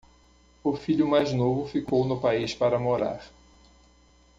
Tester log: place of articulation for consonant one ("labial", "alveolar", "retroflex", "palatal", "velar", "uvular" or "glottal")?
labial